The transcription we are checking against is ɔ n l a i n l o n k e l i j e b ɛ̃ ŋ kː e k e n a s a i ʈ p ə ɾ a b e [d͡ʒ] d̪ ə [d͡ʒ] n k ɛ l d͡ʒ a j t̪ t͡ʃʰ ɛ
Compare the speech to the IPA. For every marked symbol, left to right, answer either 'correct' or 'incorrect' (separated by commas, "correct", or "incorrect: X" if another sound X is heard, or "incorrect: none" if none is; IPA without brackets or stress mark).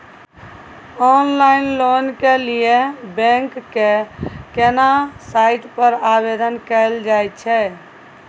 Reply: incorrect: none, incorrect: none